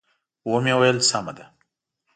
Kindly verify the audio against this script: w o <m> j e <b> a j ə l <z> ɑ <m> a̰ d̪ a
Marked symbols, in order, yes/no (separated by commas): yes, no, no, yes